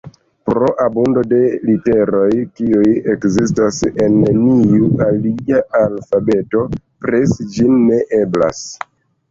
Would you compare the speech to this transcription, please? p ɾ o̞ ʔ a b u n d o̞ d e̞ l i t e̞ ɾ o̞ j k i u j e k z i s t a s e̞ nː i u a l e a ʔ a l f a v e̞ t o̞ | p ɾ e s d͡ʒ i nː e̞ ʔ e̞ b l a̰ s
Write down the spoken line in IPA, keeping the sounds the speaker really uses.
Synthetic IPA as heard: p ɾ o̞ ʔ a b u n d o̞ d e̞ l i t e̞ ɾ o̞ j k i u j e k z i s t a s e̞ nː i u a l i a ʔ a l f a b e̞ t o̞ | p ɾ e s d͡ʒ i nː e̞ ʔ e̞ b l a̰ s

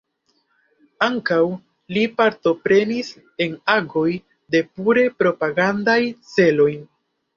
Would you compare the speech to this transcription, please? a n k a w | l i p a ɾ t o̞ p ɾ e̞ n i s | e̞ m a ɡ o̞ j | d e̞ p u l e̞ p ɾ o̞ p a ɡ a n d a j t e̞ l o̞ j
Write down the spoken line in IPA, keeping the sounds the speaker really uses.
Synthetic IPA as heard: a ŋ k a w | l i p a ɾ t o̞ p ɾ e̞ n i s | e̞ n a ɡ o̞ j | d e̞ p u ɾ e̞ p ɾ o̞ p a ɡ a n d a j t͡s e̞ l o̞ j

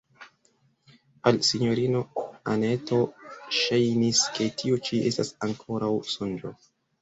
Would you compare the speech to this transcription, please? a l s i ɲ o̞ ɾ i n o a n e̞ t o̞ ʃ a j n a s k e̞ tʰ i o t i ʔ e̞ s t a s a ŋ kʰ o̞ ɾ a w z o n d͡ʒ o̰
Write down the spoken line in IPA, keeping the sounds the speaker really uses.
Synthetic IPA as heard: a l s i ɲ o̞ ɾ i n o a n e̞ t o̞ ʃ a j n i s k e̞ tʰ i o t͡ʃ i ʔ e̞ s t a s a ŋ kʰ o̞ ɾ a w s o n d͡ʒ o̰

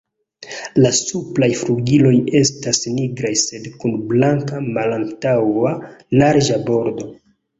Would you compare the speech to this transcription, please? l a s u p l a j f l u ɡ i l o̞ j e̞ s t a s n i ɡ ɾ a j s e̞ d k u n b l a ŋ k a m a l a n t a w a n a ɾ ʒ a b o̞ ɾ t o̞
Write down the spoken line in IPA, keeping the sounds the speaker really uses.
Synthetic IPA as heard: l a s u p l a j f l u ɡ i l o̞ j e̞ s t a s n i ɡ ɾ a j s e̞ d k u n b l a ŋ k a m a l a n t a w a n a ɾ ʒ a b o̞ ɾ d o̞

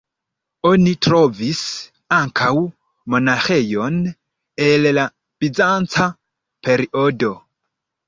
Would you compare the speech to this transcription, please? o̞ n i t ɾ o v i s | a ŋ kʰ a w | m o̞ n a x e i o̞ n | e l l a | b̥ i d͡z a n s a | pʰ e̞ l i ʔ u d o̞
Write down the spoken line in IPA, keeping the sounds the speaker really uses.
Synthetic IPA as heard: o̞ n i t ɾ o v i s | a ŋ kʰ a w | m o̞ n a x e j o̞ n | e l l a | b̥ i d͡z a n t͡s a | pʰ e̞ ɾ i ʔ o d o̞

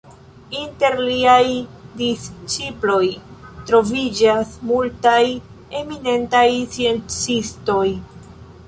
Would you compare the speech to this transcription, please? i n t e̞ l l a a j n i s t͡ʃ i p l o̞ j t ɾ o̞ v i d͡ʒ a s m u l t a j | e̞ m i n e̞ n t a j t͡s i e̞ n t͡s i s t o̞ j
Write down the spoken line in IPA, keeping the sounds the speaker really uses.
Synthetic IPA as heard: i n t e̞ ɾ l i a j d i s t͡ʃ i p l o̞ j t ɾ o̞ v i d͡ʒ a s m u l t a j | e̞ m i n e̞ n t a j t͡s i e̞ n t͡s i s t o̞ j

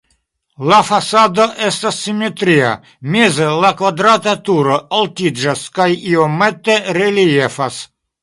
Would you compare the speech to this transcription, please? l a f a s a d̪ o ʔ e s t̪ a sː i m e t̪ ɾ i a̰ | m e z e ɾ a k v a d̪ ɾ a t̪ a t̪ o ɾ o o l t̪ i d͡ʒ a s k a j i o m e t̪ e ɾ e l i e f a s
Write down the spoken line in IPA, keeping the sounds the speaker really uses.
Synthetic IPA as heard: l a f a s a d̪ o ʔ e s t̪ a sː i m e t̪ ɾ i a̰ | m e z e l a k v a d̪ ɾ a t̪ a t̪ u ɾ o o l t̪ i d͡ʒ a s k a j i o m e t̪ e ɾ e l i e f a s

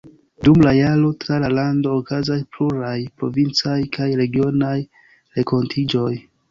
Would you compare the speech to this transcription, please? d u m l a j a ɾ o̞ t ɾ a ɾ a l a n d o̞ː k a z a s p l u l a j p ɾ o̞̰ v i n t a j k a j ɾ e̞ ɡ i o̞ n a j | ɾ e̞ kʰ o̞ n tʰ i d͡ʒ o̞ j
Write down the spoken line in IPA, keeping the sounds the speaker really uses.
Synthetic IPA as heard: d u m l a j a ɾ o̞ t ɾ a l a l a n d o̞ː k a z a s p l u ɾ a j p ɾ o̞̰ v i n t͡s a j k a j ɾ e̞ ɡ i o̞ n a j | ɾ e̞ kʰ o̞ n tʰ i d͡ʒ o̞ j

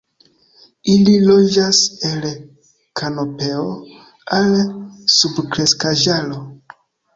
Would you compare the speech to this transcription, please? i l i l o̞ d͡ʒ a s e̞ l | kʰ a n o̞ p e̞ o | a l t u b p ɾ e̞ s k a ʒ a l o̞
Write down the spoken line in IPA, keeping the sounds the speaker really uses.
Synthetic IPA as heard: i l i l o̞ d͡ʒ a s e̞ l | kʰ a n o̞ p e̞ o | a l s u b k ɾ e̞ s k a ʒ a l o̞

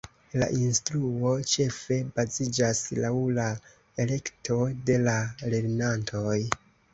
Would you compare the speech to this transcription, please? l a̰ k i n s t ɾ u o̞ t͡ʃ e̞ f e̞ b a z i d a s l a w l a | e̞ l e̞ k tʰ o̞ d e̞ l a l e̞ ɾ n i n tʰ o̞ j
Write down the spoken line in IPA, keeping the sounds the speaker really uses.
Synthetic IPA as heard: l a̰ ʔ i n s t ɾ u o̞ t͡ʃ e̞ f e̞ b a z i d͡ʒ a s l a w l a | e̞ l e̞ k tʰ o̞ d e̞ l a l e̞ ɾ n a n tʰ o̞ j

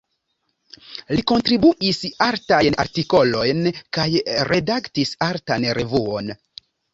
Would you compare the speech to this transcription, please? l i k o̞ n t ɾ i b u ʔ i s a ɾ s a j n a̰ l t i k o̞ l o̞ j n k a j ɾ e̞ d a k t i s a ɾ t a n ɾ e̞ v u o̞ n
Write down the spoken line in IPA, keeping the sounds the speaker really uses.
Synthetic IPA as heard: l i k o̞ n t ɾ i b u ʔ i s a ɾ t a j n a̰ ɾ t i k o̞ l o̞ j n k a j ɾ e̞ d a k t i s a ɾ t a n ɾ e̞ v u o̞ n

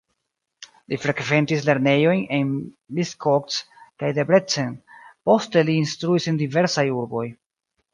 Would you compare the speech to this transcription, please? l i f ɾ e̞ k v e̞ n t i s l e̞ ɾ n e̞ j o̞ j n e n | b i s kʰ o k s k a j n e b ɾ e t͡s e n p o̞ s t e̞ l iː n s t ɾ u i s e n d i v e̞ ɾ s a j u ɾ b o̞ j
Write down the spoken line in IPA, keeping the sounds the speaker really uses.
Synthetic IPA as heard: l i f ɾ e̞ k v e̞ n t i s l e̞ ɾ n e̞ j o̞ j n e n | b i s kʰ o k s k a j d e b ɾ e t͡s e n p o̞ s t e̞ l iː n s t ɾ u i s e n d i v e̞ ɾ s a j u ɾ b o̞ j

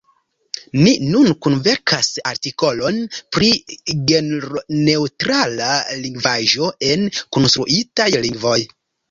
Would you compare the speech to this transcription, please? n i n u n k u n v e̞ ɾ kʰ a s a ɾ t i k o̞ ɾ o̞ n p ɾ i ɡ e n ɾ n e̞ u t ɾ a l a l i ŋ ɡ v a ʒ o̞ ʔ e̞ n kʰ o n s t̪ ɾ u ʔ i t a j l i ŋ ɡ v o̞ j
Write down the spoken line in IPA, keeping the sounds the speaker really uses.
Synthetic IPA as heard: n i n u n k u n v e̞ ɾ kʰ a s a ɾ t i k o̞ l o̞ n p ɾ i ɡ e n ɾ n e̞ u t ɾ a l a l i ŋ ɡ v a ʒ o̞ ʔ e̞ n k o n s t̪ ɾ u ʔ i t a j l i ŋ ɡ v o̞ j

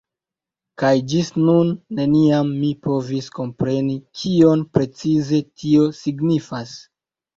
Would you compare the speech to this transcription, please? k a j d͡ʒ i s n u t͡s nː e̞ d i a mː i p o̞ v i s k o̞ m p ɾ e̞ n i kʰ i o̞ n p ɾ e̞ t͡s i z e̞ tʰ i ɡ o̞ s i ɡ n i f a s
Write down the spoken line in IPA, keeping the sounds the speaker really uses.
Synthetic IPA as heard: k a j d͡ʒ i s n u nː e̞ n i a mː i p o̞ v i s k o̞ m p ɾ e̞ n i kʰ i o̞ n p ɾ e̞ t͡s i z e̞ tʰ i o̞ s i ɡ n i f a s

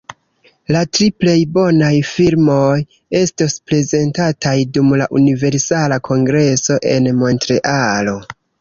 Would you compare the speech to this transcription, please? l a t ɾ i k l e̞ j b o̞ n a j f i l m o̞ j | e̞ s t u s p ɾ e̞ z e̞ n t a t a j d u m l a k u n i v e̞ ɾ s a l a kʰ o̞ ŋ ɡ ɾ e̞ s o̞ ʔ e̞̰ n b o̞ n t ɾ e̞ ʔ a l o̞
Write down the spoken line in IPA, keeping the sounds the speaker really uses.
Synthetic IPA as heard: l a t ɾ i p l e̞ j b o̞ n a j f i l m o̞ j | e̞ s t o s p ɾ e̞ z e̞ n t a t a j d u m l a ʔ u n i v e̞ ɾ s a l a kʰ o̞ ŋ ɡ ɾ e̞ s o̞ ʔ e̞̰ n m o̞ n t ɾ e̞ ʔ a l o̞

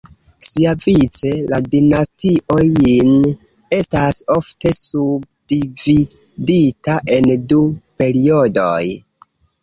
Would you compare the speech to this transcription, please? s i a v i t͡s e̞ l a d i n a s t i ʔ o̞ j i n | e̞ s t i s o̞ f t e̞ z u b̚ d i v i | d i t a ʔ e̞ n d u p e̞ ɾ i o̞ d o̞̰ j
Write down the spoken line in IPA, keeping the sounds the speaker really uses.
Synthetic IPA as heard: s i a v i t͡s e̞ l a d i n a s t i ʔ o̞ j i n | e̞ s t a s o̞ f t e̞ s u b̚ d i v i | d i t a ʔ e̞ n d u p e̞ ɾ i o̞ d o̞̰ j

